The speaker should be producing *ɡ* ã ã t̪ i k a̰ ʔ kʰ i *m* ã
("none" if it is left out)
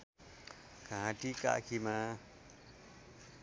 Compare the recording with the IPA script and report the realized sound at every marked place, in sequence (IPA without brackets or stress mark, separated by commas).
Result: k, m